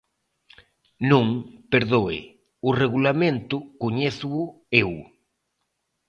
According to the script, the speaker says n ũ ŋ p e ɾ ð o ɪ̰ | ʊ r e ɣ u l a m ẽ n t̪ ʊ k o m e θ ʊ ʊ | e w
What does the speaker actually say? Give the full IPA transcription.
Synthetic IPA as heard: n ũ ŋ p e ɾ ð o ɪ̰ | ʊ r e ɣ u l a m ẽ n t̪ ʊ k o ɲ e θ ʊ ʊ | e w